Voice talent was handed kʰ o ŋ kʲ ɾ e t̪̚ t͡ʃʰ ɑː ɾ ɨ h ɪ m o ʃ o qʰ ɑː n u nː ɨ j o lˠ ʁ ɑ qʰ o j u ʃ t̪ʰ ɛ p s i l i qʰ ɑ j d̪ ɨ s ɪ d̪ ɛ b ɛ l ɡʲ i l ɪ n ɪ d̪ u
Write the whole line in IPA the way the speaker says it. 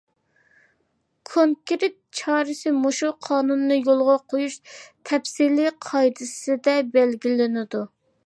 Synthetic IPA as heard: kʰ o ŋ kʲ ɾ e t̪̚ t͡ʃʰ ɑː ɾ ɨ s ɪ m o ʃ u qʰ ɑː n u nː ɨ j o lˠ ʁ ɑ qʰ o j u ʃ t̪ʰ ɛ p s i l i qʰ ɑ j d̪ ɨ s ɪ d̪ ɛ b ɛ l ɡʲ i l ɪ n ɪ d̪ u